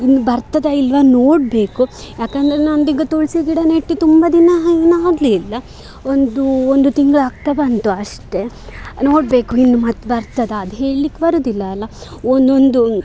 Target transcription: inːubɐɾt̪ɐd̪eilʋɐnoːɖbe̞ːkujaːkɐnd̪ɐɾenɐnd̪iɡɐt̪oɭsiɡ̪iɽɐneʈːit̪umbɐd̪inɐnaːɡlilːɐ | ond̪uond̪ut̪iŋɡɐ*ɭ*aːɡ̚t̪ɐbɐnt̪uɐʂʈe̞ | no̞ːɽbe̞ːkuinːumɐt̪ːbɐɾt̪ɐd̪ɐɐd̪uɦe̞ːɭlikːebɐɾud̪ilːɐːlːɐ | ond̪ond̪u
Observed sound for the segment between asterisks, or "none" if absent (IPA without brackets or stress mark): ɭ